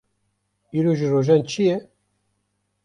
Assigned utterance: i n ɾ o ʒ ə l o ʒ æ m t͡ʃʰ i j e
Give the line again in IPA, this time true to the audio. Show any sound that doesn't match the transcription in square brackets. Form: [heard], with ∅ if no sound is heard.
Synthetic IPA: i [∅] ɾ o ʒ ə [r] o ʒ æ [n] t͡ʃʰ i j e

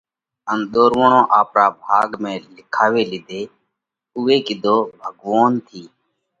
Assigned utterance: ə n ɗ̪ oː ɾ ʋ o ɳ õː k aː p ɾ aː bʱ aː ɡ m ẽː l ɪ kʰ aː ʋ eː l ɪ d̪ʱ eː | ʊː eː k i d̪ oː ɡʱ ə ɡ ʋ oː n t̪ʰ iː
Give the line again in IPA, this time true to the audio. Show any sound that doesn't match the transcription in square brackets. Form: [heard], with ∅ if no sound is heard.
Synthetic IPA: ə n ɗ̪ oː ɾ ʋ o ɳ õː [ʔ] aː p ɾ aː bʱ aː ɡ m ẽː l ɪ kʰ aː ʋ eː l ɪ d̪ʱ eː | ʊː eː k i d̪ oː [bʱ] ə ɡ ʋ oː n t̪ʰ iː

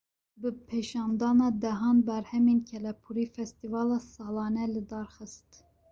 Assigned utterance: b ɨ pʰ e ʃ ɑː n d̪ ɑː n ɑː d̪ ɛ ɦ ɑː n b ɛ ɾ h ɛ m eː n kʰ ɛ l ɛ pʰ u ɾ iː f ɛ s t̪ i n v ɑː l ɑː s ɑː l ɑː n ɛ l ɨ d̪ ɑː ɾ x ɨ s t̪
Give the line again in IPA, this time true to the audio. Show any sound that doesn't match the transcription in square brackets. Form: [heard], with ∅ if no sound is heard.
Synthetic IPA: b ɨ pʰ e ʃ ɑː n d̪ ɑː n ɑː d̪ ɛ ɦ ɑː n b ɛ ɾ h ɛ m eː n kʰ ɛ l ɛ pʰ u ɾ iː f ɛ s t̪ i [∅] v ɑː l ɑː s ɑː l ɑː n ɛ l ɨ d̪ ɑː ɾ x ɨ s t̪

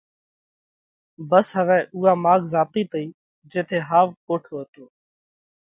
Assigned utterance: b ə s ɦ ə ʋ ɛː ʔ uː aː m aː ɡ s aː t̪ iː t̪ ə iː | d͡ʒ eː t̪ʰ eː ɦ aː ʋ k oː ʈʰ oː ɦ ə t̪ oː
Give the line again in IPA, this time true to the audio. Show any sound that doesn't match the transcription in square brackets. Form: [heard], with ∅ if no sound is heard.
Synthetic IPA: b ə s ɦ ə ʋ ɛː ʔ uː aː m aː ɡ [z] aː t̪ iː t̪ ə iː | d͡ʒ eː t̪ʰ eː ɦ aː ʋ k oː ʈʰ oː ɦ ə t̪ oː

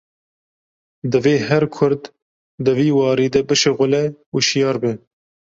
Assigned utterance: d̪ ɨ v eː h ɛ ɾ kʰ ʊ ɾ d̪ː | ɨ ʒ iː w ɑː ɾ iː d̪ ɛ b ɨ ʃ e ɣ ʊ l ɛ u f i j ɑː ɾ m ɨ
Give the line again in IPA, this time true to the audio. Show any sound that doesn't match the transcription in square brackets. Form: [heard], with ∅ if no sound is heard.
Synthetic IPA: d̪ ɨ v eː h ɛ ɾ kʰ ʊ ɾ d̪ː | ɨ [v] iː w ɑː ɾ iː d̪ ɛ b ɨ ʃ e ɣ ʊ l ɛ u [ʃ] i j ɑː ɾ [b] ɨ

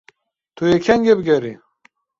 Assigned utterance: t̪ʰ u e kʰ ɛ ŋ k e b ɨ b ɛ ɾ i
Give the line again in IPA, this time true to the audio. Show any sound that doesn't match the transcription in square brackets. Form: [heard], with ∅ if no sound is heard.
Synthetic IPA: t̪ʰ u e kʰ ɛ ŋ [ɡ] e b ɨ [ɡ] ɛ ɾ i

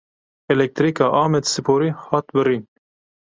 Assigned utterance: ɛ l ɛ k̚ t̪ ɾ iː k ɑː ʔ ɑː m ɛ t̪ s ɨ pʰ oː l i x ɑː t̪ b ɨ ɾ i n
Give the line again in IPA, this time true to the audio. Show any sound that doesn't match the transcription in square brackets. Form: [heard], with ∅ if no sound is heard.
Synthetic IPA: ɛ l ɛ k̚ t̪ ɾ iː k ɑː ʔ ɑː m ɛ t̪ s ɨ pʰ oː [ɾ] i [h] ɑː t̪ b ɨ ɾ i n

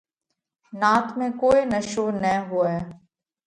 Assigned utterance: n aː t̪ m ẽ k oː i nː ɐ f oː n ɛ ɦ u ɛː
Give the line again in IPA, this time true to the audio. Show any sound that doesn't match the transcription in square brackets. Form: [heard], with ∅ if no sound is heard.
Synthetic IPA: n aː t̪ m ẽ k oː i [n] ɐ [ʃ] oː n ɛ ɦ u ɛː

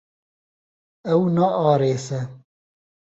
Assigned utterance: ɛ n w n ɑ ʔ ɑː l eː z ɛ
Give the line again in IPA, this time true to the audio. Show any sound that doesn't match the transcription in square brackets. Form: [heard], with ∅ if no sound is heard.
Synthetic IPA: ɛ [∅] w n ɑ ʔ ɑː [ɾ] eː [s] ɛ

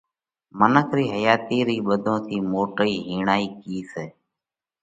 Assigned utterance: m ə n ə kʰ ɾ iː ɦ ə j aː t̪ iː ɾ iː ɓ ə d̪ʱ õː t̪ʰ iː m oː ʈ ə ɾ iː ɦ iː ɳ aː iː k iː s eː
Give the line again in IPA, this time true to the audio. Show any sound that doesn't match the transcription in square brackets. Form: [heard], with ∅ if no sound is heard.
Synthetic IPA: m ə n ə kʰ ɾ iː ɦ ə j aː t̪ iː ɾ iː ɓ ə d̪ʱ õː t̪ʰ iː m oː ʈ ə [∅] iː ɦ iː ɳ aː iː k iː s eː

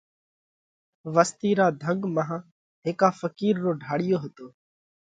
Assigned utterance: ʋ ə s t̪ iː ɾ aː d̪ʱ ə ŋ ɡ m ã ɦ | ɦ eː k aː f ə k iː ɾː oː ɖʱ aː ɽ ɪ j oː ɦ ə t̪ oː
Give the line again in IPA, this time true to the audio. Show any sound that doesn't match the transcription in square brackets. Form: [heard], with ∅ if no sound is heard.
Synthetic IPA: ʋ ə s t̪ iː ɾ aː d̪ʱ ə ŋ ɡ m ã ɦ | ɦ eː k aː f ə k iː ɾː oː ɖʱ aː ɽ ɪ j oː ɦ ə t̪ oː

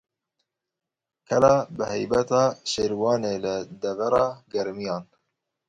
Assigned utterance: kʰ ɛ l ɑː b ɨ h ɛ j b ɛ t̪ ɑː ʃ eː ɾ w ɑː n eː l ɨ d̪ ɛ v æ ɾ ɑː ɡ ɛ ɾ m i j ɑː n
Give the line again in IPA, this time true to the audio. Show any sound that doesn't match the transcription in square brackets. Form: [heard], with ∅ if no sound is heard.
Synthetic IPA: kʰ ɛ l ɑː b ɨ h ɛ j b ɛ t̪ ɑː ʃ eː ɾ w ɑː n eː l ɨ d̪ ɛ v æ ɾ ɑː ɡ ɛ ɾ m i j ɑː n

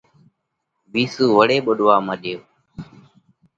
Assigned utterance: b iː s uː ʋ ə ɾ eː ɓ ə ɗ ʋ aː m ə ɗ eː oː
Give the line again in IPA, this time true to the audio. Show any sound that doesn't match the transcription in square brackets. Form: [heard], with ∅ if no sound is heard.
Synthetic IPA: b iː s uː ʋ ə [ɽ] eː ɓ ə ɗ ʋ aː m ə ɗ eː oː

